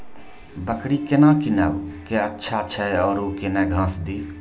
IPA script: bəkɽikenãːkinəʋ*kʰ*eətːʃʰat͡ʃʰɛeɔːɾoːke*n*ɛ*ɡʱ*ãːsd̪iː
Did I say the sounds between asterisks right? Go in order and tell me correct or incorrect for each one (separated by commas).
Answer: incorrect, correct, correct